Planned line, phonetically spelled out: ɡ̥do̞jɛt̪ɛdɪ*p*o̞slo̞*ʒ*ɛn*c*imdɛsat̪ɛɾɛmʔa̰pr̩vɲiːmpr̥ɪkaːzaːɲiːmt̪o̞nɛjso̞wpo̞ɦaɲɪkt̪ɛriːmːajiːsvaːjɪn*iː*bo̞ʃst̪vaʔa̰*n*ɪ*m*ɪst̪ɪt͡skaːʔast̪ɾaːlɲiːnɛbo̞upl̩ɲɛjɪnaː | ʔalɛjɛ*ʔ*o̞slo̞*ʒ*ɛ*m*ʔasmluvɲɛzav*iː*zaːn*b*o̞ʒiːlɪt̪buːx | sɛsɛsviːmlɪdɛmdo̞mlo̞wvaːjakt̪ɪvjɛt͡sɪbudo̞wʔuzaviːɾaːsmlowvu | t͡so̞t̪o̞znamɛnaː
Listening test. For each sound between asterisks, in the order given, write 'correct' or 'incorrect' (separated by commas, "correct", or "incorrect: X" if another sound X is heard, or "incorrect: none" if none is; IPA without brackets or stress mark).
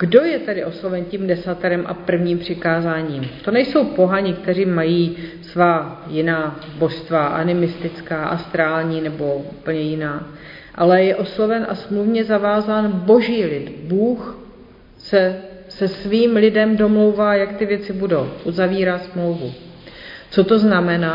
incorrect: ʔ, incorrect: v, correct, incorrect: aː, correct, correct, correct, incorrect: v, incorrect: n, incorrect: aː, correct